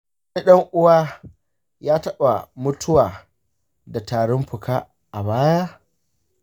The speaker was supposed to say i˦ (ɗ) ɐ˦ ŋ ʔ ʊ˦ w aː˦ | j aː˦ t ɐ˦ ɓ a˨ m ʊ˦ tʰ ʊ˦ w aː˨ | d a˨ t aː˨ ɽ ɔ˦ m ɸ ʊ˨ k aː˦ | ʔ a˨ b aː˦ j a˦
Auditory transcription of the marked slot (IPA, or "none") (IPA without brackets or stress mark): ɗ